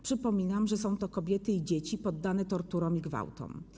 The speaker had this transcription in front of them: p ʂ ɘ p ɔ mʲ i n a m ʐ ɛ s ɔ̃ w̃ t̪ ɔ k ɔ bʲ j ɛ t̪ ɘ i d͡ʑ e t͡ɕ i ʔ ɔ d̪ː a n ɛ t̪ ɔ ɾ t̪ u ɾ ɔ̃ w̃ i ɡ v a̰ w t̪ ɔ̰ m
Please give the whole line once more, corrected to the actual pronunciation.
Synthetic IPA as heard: p ʂ ɘ p ɔ mʲ i n a m ʐ ɛ s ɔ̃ w̃ t̪ ɔ k ɔ bʲ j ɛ t̪ ɘ i d͡ʑ e t͡ɕ i p ɔ d̪ː a n ɛ t̪ ɔ ɾ t̪ u ɾ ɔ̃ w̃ i ɡ v a̰ w t̪ ɔ̰ m